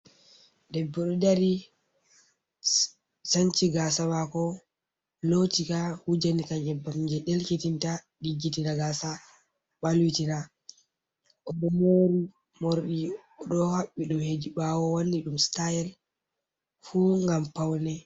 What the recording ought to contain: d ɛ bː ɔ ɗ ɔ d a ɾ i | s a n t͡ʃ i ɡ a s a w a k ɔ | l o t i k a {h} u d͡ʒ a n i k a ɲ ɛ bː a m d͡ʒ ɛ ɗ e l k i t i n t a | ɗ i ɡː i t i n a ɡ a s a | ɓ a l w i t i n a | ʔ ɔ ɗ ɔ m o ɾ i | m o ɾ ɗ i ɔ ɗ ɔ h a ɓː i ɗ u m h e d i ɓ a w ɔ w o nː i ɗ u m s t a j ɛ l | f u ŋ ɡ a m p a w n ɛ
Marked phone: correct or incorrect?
correct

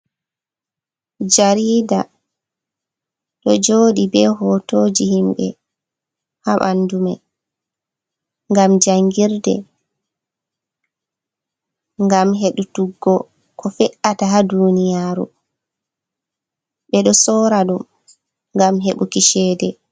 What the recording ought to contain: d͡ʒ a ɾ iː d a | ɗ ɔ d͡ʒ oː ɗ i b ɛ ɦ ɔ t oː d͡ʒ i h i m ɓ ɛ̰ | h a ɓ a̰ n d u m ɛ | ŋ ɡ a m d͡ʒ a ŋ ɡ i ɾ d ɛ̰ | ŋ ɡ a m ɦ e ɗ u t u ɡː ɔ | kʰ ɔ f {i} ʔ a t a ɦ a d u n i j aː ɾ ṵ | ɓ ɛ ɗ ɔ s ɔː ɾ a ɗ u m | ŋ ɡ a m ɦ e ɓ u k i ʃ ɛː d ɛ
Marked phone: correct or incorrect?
incorrect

